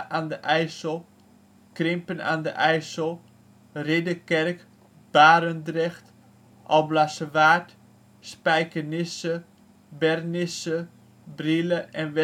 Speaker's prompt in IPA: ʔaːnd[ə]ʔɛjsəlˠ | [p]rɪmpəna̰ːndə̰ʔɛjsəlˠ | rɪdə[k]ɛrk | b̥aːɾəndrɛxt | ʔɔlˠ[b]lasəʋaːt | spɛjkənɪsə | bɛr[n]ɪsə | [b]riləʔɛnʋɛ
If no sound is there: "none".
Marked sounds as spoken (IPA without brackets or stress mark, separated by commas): ə, k, k, b, n, b